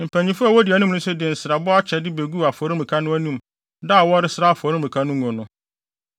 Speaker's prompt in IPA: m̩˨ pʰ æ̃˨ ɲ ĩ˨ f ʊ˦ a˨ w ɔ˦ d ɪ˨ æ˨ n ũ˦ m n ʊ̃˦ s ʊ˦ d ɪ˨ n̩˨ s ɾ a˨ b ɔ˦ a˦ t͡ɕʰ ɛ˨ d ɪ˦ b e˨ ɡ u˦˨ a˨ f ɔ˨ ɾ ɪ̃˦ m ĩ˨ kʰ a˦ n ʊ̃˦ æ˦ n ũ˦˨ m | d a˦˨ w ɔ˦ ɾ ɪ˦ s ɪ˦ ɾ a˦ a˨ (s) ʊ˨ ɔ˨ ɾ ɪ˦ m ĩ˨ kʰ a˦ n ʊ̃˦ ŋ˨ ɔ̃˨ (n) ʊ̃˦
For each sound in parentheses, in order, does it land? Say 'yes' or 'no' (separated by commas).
no, yes